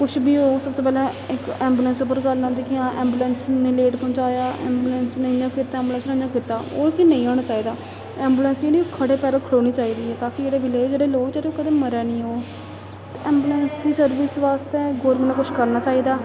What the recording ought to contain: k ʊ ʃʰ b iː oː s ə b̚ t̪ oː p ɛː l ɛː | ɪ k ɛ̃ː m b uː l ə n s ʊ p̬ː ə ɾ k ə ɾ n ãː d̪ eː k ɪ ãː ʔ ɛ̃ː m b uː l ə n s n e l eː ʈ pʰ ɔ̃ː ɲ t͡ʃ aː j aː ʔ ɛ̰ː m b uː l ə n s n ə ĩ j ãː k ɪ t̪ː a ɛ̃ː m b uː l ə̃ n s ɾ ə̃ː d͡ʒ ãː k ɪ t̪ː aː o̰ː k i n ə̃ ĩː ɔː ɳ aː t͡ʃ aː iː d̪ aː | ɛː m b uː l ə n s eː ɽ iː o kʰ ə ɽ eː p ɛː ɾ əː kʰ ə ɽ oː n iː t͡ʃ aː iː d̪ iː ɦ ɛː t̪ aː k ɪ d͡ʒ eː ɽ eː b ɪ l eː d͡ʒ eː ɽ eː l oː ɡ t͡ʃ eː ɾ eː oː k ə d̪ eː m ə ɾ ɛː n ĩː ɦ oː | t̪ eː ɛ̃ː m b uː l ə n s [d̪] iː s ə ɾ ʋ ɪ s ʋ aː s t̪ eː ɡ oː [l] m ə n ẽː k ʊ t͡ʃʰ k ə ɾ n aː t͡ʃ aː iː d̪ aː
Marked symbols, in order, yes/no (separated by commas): yes, no